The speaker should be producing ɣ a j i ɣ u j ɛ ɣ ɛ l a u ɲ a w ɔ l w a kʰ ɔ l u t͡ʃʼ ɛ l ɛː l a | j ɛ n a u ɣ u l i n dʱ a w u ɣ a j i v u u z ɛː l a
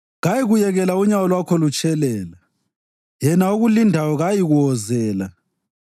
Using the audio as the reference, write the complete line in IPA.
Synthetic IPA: ɣ a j i ɣ u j ɛ ɣ ɛ l a u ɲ a w ɔ l w a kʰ ɔ l u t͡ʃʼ ɛ l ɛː l a | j ɛ n a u ɣ u l i n dʱ a w ɔ ɣ a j i ɣ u ɔ z ɛː l a

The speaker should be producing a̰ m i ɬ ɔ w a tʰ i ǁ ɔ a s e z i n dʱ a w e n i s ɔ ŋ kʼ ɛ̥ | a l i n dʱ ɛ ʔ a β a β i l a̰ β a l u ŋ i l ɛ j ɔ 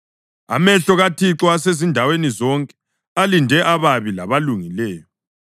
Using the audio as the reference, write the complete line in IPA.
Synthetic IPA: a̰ m ɛ ɬ ɔ ɣ a tʰ i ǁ ɔ a s e z i n dʱ a w e n i z ɔ ŋ kʼ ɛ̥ | a l i n dʱ ɛ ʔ a β a β i l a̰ β a l u ŋ i l ɛː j ɔ

